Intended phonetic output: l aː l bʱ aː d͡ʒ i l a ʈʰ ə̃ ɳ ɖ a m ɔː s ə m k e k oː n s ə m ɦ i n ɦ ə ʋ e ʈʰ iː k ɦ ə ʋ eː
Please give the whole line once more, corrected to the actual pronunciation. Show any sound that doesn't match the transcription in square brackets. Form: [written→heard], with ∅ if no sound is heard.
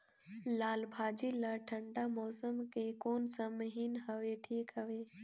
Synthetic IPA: l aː l bʱ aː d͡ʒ i l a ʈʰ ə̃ ɳ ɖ a m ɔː s ə m k e k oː n s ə m ɦ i n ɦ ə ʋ e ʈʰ iː k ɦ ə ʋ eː